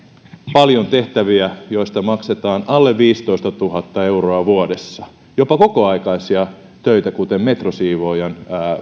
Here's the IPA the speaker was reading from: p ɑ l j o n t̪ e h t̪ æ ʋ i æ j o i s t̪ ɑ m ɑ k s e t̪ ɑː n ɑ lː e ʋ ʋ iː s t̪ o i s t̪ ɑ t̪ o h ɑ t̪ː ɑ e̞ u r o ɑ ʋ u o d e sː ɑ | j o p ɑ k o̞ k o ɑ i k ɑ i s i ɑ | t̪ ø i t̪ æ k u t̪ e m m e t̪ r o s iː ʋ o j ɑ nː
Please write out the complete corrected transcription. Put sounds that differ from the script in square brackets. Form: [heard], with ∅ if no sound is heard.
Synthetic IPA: p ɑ l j o n t̪ e h t̪ æ ʋ i æ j o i s t̪ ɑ m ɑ k s e t̪ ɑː n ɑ lː e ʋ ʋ iː s t̪ o i s t̪ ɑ t̪ [u] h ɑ t̪ː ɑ e̞ u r o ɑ ʋ u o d e sː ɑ | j o p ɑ k o̞ k o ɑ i k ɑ i s i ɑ | t̪ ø i t̪ æ k u t̪ e m m e t̪ r o s iː ʋ o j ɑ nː